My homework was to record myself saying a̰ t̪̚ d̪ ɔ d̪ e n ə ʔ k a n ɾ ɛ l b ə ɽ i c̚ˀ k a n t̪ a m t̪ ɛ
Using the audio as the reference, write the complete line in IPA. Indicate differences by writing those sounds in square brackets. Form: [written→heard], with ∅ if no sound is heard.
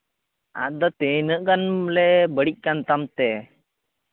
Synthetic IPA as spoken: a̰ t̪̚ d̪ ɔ [d̪→t̪] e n ə ʔ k a n [ɾ→l] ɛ [l→∅] b ə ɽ i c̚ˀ k a n t̪ a m t̪ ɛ